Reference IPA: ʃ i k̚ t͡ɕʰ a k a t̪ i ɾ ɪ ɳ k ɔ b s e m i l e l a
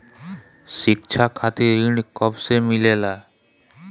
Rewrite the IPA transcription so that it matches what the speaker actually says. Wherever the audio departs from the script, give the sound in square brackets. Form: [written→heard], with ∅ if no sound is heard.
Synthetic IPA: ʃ i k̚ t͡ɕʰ a [k→kʰ] a t̪ i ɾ [ɪ→i] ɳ k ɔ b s e m i l e l a